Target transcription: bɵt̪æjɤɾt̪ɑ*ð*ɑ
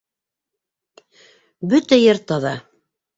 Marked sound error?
no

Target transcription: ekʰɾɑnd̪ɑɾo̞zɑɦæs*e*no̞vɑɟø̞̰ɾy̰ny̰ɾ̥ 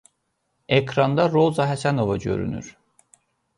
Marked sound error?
yes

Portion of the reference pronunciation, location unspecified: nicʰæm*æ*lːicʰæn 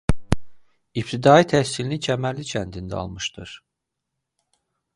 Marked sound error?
no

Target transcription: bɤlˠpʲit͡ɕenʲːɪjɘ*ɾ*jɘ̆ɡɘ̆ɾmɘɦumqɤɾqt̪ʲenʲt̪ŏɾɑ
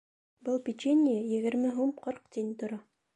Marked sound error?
yes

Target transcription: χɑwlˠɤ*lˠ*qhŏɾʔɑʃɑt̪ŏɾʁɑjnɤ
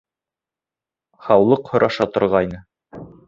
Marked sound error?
yes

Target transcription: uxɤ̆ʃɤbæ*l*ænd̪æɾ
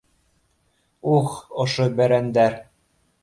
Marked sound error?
yes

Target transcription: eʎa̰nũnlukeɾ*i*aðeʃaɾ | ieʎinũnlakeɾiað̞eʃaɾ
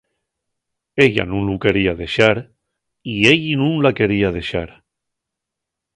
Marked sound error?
no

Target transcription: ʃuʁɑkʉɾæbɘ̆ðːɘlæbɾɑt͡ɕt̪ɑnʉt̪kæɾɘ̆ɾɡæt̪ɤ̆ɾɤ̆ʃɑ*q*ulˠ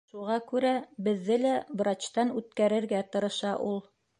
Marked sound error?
yes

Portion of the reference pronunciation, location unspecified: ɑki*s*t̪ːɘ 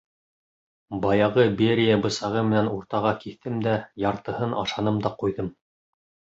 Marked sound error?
yes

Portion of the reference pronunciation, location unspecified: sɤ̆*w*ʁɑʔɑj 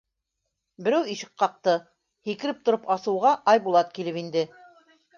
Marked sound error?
no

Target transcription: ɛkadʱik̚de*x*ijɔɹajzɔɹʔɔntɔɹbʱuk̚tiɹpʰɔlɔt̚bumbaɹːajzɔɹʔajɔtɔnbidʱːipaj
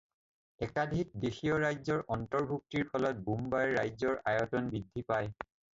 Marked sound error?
no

